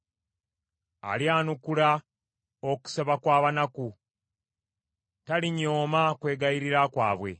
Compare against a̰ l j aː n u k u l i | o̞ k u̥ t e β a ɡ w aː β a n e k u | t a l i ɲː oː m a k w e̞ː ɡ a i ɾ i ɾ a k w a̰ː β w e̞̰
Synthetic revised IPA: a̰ l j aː n u k u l a | o̞ k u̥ s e β a k w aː β a n a k u | t a l i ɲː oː m a k w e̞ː ɡ a i ɾ i ɾ a k w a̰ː β w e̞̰